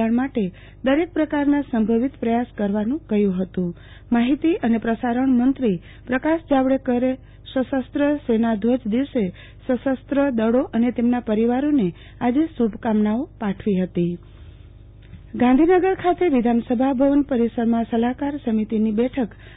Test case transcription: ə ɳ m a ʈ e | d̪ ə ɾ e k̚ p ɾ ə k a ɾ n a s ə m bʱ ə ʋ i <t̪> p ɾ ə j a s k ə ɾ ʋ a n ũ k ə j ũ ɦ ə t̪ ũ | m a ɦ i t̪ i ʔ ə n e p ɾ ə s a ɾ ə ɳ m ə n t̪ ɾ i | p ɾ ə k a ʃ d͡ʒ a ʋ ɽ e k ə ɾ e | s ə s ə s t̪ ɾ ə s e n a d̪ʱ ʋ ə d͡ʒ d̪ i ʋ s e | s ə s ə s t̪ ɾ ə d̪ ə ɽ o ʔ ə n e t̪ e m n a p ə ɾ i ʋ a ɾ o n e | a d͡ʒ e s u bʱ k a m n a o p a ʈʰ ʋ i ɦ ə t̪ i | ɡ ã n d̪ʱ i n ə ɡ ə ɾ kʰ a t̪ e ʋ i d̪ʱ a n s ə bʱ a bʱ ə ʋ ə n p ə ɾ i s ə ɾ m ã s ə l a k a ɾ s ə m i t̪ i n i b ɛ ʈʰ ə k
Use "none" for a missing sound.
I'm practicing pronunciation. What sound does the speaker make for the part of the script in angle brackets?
t̪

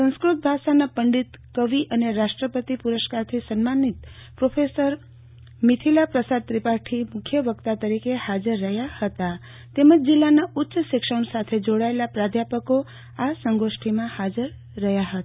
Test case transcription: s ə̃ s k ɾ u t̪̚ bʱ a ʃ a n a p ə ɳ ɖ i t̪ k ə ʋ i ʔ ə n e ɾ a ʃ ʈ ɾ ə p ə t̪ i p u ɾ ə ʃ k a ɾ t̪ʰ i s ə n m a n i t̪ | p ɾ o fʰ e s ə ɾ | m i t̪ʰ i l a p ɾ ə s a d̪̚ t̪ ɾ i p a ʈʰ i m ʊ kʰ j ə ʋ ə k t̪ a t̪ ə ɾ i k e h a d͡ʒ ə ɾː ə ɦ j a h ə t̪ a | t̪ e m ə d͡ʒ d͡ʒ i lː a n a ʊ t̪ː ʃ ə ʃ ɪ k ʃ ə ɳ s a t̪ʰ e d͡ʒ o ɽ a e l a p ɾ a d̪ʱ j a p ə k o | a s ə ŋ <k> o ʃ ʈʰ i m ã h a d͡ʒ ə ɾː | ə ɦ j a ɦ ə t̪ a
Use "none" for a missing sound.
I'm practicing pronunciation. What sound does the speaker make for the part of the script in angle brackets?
ɡ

